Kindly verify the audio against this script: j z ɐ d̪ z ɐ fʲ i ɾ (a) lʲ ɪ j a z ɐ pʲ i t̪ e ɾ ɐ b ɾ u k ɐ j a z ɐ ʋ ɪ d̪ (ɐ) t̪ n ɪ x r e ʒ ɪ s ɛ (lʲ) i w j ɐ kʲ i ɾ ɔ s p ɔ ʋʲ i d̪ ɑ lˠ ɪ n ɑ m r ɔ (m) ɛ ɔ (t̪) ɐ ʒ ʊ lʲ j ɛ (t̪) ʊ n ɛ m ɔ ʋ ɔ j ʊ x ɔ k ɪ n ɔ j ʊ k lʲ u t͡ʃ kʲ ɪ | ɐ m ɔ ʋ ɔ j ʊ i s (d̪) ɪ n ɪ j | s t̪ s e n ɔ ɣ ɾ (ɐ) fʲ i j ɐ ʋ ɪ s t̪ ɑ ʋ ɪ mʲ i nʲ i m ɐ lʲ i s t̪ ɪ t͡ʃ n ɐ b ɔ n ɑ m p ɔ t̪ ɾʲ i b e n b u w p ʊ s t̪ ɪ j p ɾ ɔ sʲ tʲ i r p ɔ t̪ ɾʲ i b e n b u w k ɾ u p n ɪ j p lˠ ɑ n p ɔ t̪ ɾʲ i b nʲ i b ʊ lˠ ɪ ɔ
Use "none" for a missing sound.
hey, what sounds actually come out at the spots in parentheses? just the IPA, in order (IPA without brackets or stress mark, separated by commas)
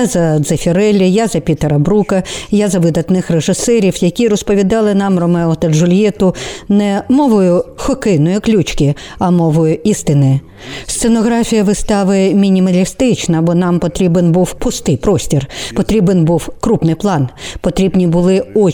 ɛ, ɐ, ɾʲ, m, t̪, t̪, t̪, ɑ